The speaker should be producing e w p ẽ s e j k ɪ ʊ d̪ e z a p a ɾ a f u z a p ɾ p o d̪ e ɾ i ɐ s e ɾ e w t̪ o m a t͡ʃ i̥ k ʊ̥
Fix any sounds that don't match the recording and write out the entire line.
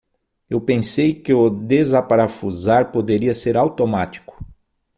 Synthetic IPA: e w p ẽ s e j k ɪ ʊ d̪ e z a p a ɾ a f u z a ɾ p o d̪ e ɾ i ɐ s e ɾ a w t̪ o m a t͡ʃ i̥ k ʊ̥